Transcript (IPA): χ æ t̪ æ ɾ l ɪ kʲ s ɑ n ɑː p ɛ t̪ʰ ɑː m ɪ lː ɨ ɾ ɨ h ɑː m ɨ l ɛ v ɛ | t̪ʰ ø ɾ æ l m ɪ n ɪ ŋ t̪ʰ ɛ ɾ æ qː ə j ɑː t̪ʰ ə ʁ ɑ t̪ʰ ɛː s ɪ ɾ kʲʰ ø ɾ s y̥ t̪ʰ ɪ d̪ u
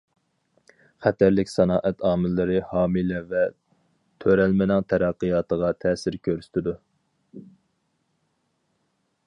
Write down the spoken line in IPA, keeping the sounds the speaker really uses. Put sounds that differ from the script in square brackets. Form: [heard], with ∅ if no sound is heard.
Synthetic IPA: χ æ t̪ æ ɾ l ɪ kʲ s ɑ n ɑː [ʔ] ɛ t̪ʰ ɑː m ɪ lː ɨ ɾ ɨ h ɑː m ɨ l ɛ v ɛ | t̪ʰ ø ɾ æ l m ɪ n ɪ ŋ t̪ʰ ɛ ɾ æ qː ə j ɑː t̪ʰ ə ʁ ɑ t̪ʰ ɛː s ɪ ɾ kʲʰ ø ɾ s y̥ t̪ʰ ɪ d̪ u